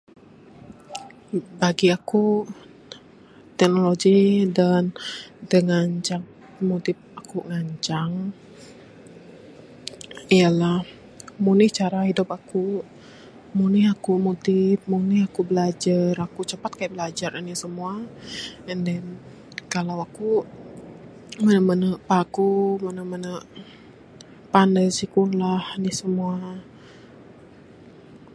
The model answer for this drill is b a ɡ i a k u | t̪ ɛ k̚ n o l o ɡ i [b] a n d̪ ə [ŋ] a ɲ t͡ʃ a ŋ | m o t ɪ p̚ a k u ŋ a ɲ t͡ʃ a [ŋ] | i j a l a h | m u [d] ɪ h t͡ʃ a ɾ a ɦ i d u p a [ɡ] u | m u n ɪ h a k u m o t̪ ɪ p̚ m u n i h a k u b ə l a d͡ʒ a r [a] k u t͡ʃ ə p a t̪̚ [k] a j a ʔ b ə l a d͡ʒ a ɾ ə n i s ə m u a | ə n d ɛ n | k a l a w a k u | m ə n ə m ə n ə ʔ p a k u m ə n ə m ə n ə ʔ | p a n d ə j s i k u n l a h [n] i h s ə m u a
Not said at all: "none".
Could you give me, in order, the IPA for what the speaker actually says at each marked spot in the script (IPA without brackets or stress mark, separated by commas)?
d, ŋ, ŋ, n, k, a, k, n